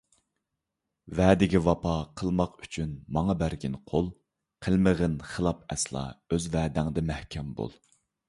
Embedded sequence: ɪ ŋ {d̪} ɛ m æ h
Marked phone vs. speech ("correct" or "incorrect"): correct